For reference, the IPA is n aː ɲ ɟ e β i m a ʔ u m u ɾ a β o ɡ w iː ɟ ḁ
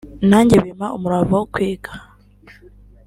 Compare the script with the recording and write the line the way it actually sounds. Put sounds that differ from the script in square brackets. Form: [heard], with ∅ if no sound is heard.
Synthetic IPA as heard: n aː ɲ ɟ e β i m a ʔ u m u ɾ a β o [k] w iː [ɡ] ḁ